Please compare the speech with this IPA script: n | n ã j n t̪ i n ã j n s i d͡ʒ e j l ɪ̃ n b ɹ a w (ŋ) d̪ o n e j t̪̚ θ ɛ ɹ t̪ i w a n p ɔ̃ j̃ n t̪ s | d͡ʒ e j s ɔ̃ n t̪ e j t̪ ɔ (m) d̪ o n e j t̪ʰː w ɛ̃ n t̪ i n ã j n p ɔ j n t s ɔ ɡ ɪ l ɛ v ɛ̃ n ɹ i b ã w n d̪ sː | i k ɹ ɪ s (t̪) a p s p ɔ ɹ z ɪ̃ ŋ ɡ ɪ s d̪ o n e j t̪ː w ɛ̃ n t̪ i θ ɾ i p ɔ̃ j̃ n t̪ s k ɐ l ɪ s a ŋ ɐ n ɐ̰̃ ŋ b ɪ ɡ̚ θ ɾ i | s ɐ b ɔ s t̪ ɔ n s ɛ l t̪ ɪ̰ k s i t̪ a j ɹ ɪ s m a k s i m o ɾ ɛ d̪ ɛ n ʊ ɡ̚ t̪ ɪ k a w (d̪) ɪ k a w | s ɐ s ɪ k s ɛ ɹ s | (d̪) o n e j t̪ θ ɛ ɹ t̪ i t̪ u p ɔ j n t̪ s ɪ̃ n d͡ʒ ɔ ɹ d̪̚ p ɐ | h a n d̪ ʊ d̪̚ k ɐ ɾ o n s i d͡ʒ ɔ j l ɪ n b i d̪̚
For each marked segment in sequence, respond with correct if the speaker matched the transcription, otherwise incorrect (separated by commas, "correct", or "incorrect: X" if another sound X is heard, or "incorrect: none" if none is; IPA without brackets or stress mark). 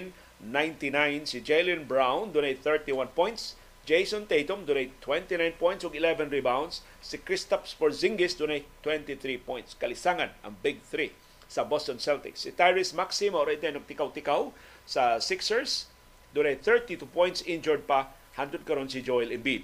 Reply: incorrect: n, correct, correct, incorrect: t̪, correct